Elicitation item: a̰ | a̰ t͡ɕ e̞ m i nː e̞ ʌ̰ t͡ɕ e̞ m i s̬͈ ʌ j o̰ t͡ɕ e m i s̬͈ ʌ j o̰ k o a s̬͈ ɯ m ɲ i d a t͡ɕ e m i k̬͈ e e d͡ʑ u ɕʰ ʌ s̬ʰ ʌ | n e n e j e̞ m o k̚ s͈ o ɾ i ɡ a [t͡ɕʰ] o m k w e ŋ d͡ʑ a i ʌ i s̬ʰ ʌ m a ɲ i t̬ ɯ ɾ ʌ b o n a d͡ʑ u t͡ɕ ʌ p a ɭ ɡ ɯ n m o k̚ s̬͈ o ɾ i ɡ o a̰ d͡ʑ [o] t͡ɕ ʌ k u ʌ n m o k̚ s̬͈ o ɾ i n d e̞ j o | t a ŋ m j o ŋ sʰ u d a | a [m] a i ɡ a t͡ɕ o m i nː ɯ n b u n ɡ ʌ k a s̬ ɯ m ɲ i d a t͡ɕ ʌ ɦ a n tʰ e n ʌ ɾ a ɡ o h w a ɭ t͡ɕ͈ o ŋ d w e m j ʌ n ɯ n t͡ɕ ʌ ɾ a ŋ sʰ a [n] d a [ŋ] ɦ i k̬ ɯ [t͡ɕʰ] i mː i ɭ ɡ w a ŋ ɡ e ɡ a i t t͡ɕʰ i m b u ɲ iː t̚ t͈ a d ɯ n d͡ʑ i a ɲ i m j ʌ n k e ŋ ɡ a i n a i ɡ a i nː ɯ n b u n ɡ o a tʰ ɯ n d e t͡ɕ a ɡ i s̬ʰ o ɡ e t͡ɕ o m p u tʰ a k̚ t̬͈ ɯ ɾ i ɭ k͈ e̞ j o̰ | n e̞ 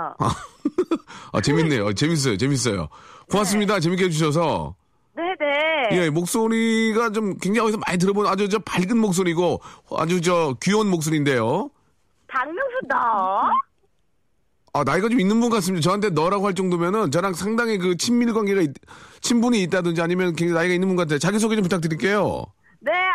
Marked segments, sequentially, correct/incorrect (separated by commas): incorrect, incorrect, incorrect, incorrect, correct, correct